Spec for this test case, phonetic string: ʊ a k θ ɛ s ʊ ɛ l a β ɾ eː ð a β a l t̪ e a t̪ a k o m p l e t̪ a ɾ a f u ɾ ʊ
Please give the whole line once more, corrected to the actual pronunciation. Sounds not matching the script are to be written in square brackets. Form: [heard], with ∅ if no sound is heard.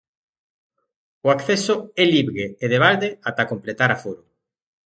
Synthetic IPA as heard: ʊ a k θ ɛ s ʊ ɛ l [i] β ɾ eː ð [e] β a l [d̪] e a t̪ a k o m p l e t̪ a ɾ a f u ɾ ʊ